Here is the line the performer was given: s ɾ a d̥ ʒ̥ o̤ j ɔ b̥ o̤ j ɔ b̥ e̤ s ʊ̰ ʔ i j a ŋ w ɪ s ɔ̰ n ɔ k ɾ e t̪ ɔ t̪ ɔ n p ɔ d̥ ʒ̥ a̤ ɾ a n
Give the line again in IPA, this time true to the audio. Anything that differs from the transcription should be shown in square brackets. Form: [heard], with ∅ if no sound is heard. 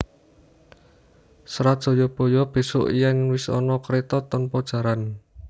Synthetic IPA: s ɾ a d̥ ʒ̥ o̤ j ɔ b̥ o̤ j ɔ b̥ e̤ s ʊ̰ ʔ i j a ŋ w ɪ s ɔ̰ n ɔ k ɾ e t̪ ɔ t̪ ɔ n p ɔ d̥ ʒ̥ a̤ ɾ a n